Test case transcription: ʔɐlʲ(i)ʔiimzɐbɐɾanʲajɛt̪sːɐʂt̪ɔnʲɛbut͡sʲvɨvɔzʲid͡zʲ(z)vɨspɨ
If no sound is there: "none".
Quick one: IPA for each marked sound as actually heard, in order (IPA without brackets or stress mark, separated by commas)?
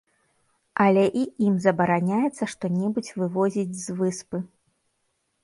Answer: ɛ, z